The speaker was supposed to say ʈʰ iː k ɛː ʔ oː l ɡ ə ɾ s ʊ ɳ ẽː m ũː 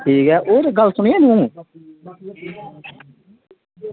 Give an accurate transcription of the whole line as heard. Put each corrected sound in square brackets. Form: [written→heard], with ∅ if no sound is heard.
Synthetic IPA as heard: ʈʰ iː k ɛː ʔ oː [l→ɾ] ɡ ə [ɾ→l] s ʊ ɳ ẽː [m→n] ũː